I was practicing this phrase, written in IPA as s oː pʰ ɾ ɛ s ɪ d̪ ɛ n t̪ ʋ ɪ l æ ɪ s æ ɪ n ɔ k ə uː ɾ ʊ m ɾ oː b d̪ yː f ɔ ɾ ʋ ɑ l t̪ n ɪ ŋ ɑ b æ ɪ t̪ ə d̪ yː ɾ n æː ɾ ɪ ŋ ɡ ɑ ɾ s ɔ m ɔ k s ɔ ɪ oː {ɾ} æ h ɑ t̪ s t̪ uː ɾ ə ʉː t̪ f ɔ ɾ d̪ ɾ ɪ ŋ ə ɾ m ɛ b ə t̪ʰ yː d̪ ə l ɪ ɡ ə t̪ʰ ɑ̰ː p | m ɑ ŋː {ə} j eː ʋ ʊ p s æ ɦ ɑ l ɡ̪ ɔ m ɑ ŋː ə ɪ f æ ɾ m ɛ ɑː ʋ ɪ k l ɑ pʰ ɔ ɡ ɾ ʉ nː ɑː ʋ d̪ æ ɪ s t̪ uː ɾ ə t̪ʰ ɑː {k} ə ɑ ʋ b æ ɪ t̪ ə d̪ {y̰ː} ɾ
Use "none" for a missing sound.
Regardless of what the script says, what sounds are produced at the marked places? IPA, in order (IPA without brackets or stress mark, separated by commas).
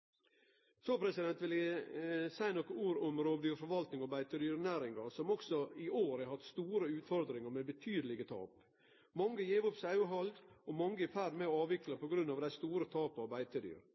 ɾ, ə, p, y̰ː